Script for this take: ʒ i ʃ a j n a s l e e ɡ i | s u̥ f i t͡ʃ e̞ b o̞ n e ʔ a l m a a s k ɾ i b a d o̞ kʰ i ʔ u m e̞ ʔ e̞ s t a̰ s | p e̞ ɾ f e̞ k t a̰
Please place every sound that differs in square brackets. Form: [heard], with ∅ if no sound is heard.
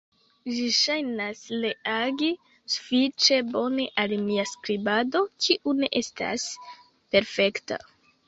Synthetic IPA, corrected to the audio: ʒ i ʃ a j n a s l e [a] ɡ i | s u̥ f i t͡ʃ e̞ b o̞ n e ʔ a l m [i] a s k ɾ i b a d o̞ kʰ i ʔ u [n] e̞ ʔ e̞ s t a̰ s | p e̞ ɾ f e̞ k t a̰